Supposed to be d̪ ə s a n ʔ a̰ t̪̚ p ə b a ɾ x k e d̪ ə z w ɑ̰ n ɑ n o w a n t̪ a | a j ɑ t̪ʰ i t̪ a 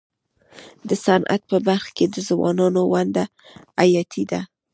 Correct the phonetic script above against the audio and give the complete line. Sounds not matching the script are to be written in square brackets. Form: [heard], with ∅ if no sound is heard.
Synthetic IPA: d̪ ə s a n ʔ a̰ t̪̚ p ə b a ɾ x k e d̪ ə z w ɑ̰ n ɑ n o w a n [d̪] a | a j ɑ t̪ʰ i [d̪] a

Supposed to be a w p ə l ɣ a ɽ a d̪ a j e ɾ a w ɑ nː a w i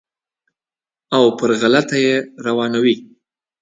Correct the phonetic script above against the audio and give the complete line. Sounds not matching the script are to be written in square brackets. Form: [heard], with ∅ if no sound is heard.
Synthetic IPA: a w p ə [ɾ] ɣ a [l] a [t̪] a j e ɾ a w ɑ [n] a w i

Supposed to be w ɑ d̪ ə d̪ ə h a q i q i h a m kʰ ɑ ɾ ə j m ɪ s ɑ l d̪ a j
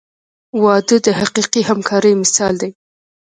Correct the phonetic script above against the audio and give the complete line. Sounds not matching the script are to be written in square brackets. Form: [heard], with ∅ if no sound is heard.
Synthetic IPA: w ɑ d̪ ə d̪ ə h a q i q i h a m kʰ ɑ ɾ ə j m ɪ s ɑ l d̪ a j

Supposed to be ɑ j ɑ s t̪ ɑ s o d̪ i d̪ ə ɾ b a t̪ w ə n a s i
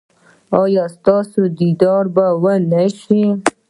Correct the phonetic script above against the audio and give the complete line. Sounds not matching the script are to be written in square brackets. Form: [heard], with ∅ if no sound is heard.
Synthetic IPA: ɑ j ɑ s t̪ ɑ s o d̪ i d̪ [ɑ] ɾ b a [∅] w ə n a [ʃ] i

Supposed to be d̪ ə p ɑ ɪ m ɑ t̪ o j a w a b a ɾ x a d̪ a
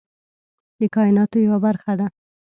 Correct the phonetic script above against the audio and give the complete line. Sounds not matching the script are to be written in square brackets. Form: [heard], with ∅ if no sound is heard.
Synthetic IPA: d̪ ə [k] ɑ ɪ [n] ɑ t̪ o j a w a b a ɾ x a d̪ a

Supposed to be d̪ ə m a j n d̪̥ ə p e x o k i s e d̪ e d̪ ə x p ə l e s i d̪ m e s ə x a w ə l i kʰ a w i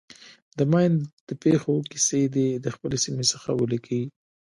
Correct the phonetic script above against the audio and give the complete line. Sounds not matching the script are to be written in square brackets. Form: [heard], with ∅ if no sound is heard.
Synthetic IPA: d̪ ə m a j n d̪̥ ə p e x o k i s e d̪ e d̪ ə x p ə l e s i [∅] m e s ə x a w ə l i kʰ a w i

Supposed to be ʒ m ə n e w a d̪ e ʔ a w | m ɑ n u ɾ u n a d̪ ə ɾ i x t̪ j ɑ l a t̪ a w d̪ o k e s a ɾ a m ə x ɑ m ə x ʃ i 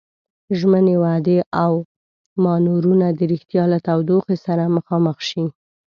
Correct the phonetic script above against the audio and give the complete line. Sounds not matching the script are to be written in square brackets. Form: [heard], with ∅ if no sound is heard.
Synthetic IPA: ʒ m ə n e w a d̪ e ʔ a w | m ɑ n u ɾ u n a d̪ ə ɾ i x t̪ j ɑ l a t̪ a w d̪ o [x] e s a ɾ a m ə x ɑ m ə x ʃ i

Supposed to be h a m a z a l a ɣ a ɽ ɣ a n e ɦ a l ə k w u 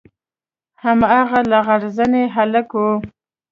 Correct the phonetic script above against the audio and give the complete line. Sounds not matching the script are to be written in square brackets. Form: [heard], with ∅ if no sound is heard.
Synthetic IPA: h a m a [ɣ] a l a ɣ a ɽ [z] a n e ɦ a l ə k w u

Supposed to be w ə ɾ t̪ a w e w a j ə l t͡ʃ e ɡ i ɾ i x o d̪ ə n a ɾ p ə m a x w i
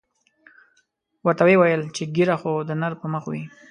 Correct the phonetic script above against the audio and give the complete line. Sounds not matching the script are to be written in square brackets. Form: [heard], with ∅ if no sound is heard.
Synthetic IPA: w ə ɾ t̪ a w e w a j ə l t͡ʃ e ɡ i ɾ [a] x o d̪ ə n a ɾ p ə m [ə] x w i

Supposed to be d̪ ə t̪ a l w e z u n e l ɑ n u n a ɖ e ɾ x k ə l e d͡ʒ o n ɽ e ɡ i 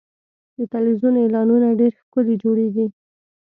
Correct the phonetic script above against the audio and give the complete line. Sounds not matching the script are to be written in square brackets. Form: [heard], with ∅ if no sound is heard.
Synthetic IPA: d̪ ə t̪ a l w [i] z u n e l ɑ n u n a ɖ e ɾ x k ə l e d͡ʒ o [∅] ɽ e ɡ i

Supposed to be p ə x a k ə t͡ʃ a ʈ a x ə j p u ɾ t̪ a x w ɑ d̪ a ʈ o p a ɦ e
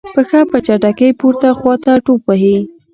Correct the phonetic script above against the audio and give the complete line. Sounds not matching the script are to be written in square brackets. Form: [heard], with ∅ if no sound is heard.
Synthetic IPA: p ə x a [p] ə t͡ʃ a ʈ a [k] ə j p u ɾ t̪ a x w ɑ [t̪] a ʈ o p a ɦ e

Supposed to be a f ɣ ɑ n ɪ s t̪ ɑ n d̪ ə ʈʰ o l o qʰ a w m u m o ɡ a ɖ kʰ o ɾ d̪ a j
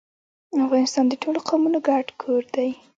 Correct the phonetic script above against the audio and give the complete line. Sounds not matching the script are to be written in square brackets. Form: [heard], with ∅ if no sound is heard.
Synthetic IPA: a f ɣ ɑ n ɪ s t̪ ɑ n d̪ ə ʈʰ o l o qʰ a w m u [n] o ɡ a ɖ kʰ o ɾ d̪ a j

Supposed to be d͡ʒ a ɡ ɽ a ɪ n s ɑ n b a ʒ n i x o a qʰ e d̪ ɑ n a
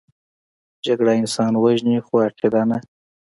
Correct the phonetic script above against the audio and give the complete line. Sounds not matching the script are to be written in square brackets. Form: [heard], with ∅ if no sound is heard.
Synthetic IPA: d͡ʒ a ɡ ɽ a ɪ n s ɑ n [w] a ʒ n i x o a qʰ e d̪ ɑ n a

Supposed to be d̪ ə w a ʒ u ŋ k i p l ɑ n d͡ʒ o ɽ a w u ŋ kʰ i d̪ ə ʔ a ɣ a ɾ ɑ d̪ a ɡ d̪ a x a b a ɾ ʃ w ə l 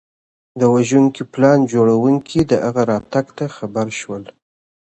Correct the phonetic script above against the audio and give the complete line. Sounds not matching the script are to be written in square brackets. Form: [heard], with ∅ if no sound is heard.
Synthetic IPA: d̪ ə w a ʒ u ŋ k i p l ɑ n d͡ʒ o ɽ a w u ŋ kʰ i d̪ ə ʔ a ɣ a ɾ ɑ [t̪] a ɡ [t̪] a x a b a ɾ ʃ w ə l

